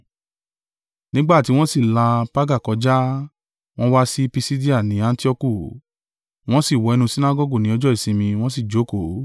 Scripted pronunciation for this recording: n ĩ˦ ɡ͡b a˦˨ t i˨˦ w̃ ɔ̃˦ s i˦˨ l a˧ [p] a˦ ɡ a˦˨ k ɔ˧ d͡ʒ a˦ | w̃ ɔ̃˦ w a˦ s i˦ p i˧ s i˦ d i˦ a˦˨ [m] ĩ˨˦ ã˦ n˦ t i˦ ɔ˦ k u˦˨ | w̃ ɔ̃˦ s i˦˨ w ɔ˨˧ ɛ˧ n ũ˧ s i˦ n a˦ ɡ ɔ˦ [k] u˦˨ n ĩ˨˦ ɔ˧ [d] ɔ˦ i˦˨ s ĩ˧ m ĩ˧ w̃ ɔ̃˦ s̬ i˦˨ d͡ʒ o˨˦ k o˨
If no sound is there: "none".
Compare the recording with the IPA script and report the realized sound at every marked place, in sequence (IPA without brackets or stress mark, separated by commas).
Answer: p, n, ɡ, d͡ʒ